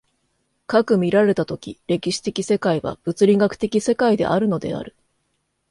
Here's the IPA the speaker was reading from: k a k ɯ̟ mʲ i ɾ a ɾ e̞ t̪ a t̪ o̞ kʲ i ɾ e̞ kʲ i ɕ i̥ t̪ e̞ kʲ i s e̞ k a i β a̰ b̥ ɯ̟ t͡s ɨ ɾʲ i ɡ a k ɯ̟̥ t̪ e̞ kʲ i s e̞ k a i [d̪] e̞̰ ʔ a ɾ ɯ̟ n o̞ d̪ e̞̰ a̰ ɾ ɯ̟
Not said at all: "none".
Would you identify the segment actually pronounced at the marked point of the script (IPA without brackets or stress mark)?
d̪